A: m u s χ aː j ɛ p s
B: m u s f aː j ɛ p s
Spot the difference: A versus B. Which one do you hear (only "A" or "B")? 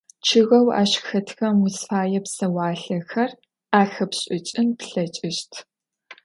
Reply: B